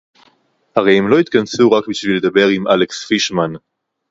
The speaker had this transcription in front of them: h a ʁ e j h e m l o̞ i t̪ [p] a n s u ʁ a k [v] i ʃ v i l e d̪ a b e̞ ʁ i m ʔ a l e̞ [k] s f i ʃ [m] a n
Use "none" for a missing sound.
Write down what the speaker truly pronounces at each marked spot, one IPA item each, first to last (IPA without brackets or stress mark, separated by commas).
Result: k, b, k, m